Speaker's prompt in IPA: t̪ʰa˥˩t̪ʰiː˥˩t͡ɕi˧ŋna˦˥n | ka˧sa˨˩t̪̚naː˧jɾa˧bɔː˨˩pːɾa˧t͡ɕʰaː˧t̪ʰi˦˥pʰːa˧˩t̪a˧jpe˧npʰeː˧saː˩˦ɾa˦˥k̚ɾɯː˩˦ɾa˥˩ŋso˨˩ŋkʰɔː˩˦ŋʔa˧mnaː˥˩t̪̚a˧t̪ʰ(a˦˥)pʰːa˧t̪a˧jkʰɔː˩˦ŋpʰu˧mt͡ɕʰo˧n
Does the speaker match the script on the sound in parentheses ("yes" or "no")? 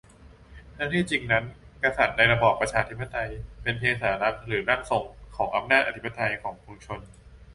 no